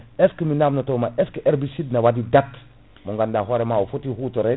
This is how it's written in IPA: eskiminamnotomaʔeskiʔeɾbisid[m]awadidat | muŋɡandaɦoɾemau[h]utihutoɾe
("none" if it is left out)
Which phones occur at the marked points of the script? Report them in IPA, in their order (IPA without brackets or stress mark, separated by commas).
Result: n, f